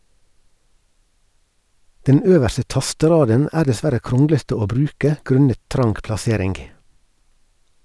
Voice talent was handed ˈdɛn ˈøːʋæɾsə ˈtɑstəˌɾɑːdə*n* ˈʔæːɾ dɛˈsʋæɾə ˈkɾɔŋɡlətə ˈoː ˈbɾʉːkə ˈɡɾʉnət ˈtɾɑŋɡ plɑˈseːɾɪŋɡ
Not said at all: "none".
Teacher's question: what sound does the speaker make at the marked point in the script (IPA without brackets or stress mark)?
n